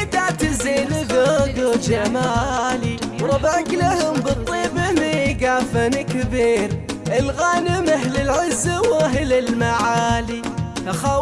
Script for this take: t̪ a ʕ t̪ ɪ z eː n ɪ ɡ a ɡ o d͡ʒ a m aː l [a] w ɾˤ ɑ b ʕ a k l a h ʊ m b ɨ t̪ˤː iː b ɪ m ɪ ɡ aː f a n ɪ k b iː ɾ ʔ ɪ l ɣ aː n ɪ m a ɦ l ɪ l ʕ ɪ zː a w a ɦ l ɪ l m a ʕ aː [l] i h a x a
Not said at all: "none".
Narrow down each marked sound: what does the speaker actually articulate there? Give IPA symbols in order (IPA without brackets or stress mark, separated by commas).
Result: i, l